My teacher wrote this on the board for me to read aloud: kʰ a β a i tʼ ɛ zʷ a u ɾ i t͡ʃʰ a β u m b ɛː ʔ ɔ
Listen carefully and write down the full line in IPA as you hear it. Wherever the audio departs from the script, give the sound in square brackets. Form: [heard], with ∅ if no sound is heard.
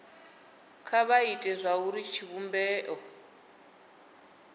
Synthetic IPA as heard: kʰ a β a i tʼ ɛ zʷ a u ɾ i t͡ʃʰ [i] β u m b ɛː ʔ ɔ